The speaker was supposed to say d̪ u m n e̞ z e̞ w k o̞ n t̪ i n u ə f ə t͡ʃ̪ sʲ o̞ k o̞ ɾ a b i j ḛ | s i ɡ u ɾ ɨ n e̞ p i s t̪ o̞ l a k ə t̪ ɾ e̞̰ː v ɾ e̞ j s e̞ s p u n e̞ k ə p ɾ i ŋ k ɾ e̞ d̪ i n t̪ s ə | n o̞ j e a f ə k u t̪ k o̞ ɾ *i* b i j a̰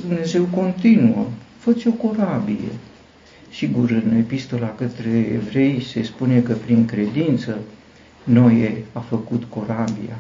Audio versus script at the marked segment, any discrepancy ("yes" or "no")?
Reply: yes